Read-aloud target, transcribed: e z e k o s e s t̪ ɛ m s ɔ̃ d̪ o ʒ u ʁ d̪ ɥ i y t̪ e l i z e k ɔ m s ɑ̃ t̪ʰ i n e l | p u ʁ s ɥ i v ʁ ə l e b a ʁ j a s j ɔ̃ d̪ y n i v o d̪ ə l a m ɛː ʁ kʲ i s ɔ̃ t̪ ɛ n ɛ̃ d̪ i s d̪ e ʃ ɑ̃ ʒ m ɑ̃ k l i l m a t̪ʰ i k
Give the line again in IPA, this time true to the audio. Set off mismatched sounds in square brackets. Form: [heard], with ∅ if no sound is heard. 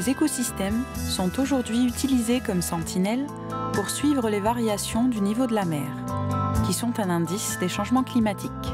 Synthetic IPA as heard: e z e k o s [i] s t̪ ɛ m s ɔ̃ [t̪] o ʒ u ʁ d̪ ɥ i y t̪ [i] l i z e k ɔ m s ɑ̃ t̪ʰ i n [ɛ] l | p u ʁ s ɥ i v ʁ ə l e [v] a ʁ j a s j ɔ̃ d̪ y n i v o d̪ ə l a m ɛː ʁ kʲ i s ɔ̃ t̪ [ɛ̃] n ɛ̃ d̪ i s d̪ e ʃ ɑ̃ ʒ m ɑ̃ k l i [∅] m a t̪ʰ i k

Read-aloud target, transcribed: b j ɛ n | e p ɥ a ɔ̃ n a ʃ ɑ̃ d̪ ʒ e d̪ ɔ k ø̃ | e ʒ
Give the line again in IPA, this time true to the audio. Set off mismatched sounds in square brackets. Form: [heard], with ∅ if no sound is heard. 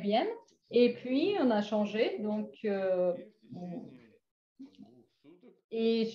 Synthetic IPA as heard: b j ɛ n | e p ɥ [i] ɔ̃ n a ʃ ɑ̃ [∅] ʒ e d̪ [ɔ̃] k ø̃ | e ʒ

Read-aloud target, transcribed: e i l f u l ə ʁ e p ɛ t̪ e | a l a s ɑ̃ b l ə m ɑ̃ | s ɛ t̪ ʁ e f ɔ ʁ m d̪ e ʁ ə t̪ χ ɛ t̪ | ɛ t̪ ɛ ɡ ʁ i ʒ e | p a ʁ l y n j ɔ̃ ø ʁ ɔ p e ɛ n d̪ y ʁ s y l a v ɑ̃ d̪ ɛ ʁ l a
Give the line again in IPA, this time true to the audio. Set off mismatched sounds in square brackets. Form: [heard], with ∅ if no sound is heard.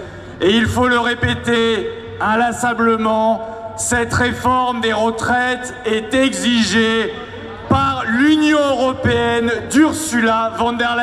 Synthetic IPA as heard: e i l f [o] l ə ʁ e p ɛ t̪ e | a l a s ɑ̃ b l ə m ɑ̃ | s ɛ t̪ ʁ e f ɔ ʁ m d̪ e ʁ ə t̪ χ ɛ t̪ | ɛ t̪ ɛ ɡ [z] i ʒ e | p a ʁ l y n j ɔ̃ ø ʁ ɔ p e ɛ n d̪ y ʁ s y l a v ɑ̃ d̪ ɛ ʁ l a

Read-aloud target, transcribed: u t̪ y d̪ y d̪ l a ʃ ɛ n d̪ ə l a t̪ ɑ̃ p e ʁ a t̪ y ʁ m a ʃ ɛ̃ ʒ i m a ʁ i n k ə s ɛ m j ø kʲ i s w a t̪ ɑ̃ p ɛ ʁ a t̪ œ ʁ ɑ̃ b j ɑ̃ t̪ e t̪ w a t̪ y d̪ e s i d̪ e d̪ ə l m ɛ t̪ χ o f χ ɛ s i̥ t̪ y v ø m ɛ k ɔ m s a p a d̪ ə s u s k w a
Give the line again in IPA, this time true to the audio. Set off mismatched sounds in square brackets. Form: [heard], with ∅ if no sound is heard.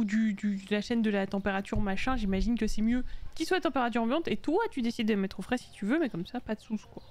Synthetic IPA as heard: u [d̪] y d̪ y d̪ l a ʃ ɛ n d̪ ə l a t̪ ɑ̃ p e ʁ a t̪ y ʁ m a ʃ ɛ̃ ʒ i m a [ʒ] i n k ə s ɛ m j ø kʲ i s w a t̪ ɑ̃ p [e] ʁ a t̪ [y] ʁ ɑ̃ b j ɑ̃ t̪ e t̪ w a t̪ y d̪ e s i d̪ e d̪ ə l m ɛ t̪ χ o f χ ɛ s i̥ t̪ y v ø m ɛ k ɔ m s a p a d̪ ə s u s k w a

